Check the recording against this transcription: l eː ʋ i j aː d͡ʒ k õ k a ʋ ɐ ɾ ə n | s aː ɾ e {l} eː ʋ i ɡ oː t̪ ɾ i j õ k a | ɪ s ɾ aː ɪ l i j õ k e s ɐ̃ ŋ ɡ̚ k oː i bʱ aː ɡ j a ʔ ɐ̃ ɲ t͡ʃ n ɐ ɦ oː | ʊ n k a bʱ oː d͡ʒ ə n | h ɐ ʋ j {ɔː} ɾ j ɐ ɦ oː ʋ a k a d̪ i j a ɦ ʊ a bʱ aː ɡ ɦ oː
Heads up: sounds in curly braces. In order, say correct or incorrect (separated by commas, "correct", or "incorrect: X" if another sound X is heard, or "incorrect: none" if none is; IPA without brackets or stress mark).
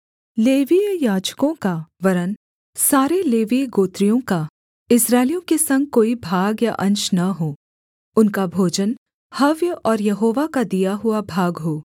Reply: correct, correct